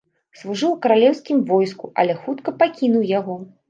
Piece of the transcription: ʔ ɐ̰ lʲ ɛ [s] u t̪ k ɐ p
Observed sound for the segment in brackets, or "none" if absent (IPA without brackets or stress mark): x